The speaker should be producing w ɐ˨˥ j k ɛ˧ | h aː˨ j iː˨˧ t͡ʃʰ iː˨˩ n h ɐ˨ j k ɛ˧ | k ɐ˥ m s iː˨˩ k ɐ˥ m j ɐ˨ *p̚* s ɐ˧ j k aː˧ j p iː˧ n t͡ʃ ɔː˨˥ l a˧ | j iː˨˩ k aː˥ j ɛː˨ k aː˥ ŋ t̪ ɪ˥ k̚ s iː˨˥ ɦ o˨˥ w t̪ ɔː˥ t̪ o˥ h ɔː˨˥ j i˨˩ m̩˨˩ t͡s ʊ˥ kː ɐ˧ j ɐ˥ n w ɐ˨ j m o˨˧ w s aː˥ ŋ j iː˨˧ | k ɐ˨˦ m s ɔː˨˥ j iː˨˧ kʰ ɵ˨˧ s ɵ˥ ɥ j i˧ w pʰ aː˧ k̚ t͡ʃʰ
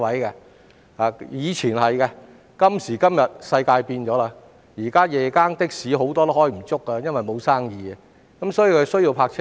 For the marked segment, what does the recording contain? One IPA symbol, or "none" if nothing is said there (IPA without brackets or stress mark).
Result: t̚